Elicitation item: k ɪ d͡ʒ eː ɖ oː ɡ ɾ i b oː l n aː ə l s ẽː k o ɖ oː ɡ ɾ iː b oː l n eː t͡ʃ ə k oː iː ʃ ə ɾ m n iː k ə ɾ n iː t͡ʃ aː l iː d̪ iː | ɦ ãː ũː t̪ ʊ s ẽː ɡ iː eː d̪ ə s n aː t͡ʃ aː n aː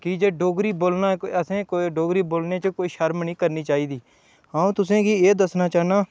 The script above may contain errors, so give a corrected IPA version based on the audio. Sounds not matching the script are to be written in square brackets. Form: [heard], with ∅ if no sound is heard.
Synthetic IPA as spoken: k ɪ d͡ʒ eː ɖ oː ɡ ɾ [iː] b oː l n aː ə [∅] s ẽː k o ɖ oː ɡ ɾ iː b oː l n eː t͡ʃ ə k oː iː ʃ ə ɾ m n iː k ə ɾ n iː t͡ʃ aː [∅] iː d̪ iː | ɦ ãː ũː t̪ ʊ s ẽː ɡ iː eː d̪ ə s n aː t͡ʃ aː n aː